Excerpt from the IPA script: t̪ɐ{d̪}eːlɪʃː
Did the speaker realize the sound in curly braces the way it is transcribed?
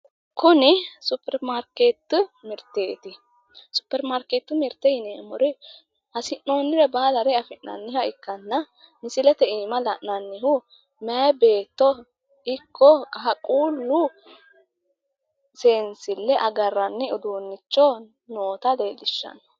yes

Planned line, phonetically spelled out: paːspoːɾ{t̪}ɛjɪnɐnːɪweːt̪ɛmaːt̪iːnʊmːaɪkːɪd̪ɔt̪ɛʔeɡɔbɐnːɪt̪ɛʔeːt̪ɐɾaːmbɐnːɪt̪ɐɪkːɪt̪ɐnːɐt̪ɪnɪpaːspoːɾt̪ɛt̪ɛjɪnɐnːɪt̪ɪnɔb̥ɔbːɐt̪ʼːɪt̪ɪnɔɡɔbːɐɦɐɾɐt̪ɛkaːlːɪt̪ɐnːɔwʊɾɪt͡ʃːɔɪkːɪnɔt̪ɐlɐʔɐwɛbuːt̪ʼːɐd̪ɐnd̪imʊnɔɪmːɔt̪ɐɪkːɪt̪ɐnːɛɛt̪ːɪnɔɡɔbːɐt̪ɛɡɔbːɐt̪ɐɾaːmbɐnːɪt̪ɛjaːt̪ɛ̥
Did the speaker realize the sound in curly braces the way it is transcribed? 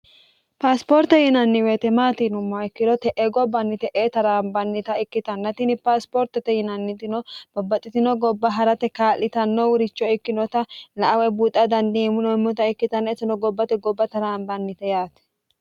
yes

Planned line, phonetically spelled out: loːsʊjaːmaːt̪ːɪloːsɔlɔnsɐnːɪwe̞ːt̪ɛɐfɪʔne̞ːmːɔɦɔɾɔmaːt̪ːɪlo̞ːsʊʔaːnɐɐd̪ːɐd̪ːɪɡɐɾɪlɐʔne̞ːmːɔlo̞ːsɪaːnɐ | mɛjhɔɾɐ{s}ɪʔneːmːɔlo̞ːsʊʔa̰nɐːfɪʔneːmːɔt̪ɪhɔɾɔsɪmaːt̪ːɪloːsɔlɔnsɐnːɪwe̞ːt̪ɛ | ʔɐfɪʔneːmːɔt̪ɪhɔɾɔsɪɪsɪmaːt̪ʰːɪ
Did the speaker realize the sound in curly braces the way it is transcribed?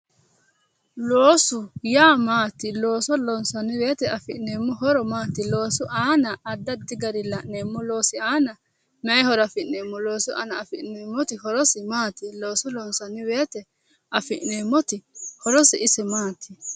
no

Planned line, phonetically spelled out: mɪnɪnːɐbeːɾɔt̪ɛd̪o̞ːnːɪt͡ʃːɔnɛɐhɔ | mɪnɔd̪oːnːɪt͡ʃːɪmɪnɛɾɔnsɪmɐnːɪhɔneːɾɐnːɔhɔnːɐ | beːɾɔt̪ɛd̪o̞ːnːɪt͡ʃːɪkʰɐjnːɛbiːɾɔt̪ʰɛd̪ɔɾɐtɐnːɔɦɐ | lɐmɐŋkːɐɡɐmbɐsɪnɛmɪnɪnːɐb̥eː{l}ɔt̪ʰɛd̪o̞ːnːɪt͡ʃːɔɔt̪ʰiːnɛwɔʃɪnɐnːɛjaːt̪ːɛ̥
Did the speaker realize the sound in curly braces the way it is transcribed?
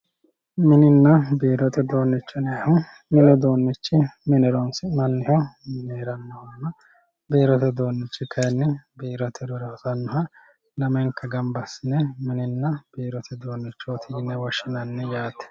no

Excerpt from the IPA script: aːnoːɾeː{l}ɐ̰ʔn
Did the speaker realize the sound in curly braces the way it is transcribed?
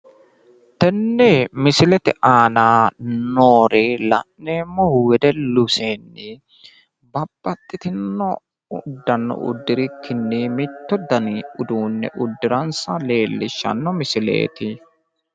yes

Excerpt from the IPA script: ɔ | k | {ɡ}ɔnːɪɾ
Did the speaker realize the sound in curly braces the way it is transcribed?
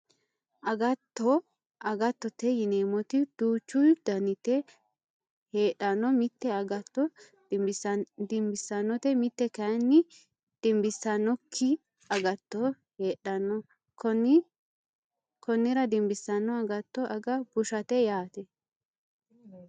no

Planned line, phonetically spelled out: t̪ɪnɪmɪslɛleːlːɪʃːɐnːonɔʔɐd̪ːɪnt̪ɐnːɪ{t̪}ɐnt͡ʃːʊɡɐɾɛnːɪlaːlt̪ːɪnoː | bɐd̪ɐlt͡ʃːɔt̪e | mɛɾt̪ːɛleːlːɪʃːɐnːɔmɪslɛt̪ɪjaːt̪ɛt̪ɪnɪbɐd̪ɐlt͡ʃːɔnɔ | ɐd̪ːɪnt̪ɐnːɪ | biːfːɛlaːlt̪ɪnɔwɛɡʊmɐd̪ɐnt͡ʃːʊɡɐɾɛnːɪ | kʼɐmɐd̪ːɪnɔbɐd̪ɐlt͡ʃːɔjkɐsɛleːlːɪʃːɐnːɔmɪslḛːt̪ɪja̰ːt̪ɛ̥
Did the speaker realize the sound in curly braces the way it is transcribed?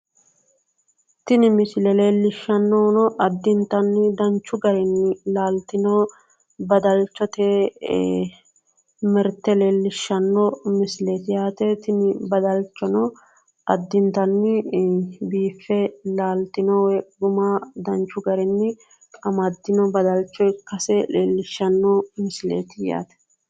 no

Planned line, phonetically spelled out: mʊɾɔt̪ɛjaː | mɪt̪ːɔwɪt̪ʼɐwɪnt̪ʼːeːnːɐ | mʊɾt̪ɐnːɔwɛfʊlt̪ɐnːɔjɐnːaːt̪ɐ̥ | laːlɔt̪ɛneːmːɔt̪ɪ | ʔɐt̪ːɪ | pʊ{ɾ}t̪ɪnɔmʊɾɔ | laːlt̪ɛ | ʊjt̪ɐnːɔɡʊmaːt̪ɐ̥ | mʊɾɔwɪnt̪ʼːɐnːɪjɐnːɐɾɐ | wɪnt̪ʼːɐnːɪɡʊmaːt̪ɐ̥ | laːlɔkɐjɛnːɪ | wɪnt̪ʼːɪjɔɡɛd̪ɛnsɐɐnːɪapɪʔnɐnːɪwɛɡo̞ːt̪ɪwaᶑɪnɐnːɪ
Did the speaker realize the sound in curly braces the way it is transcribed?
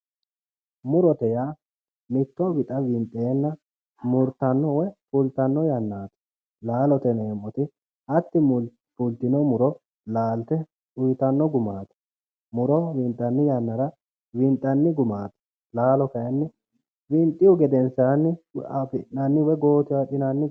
no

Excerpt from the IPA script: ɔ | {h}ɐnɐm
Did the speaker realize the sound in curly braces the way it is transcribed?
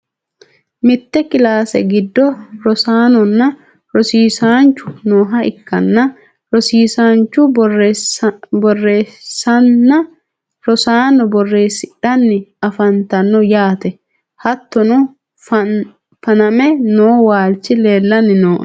no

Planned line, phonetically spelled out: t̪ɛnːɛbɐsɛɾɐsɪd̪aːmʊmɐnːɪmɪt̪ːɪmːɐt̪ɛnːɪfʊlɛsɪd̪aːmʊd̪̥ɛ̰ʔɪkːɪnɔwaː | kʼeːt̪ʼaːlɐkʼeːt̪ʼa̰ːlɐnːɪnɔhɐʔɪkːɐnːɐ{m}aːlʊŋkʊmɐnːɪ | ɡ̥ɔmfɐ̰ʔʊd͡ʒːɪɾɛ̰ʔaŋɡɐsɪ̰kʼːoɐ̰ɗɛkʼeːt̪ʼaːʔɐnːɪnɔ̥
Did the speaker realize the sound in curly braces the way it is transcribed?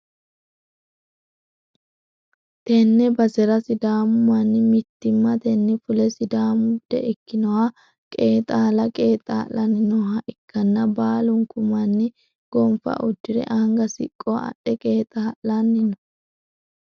no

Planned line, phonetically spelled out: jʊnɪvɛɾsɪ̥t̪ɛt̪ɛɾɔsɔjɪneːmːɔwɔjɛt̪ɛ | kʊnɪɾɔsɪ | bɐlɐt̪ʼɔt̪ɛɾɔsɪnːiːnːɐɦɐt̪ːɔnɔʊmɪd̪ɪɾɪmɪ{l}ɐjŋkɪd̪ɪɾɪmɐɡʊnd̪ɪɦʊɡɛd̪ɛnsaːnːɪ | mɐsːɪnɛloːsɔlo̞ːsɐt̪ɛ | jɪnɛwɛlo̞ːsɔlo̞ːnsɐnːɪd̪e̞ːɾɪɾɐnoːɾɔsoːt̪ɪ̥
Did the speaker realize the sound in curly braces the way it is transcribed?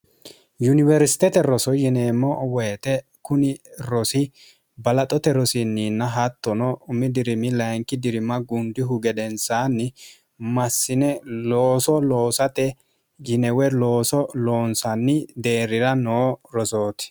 yes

